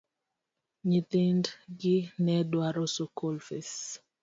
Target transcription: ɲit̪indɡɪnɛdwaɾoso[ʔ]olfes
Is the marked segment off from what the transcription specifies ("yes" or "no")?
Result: yes